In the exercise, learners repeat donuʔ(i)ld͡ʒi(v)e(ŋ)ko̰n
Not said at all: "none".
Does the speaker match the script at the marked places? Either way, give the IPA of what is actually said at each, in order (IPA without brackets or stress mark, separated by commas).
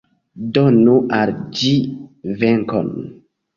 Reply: a, v, ŋ